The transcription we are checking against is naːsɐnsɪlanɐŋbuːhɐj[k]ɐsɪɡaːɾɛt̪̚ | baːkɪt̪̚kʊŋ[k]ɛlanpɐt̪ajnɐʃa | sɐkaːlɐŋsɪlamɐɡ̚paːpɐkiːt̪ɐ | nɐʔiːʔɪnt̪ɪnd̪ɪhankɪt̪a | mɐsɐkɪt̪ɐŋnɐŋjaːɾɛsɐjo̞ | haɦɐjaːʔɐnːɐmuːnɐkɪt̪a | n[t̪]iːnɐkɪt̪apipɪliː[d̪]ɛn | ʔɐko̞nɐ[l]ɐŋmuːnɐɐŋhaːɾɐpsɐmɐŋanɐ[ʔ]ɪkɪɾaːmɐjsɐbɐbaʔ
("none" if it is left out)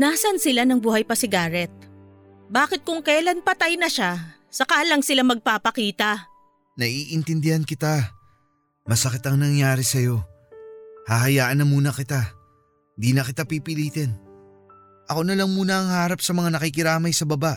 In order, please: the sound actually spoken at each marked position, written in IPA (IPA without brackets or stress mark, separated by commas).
p, k, d̪, t̪, l, k